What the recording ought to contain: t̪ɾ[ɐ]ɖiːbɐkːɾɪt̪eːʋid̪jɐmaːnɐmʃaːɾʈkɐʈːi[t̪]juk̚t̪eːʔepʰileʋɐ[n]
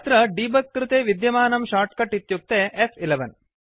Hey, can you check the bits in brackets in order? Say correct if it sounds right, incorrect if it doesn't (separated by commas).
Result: correct, correct, correct